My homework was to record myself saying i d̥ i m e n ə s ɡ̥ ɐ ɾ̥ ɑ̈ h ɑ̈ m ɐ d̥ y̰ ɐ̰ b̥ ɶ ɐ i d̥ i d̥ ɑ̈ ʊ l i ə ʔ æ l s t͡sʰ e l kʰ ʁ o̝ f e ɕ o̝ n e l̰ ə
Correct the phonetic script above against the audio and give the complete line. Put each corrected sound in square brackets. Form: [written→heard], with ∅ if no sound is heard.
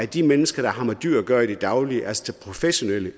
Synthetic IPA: [i→æ] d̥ i m e n ə s ɡ̥ ɐ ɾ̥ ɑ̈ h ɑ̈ m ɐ d̥ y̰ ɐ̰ [b̥→ɡ̥] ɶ ɐ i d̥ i d̥ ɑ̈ ʊ l i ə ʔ æ l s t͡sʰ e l [kʰ→pʰ] ʁ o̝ f e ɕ o̝ n e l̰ ə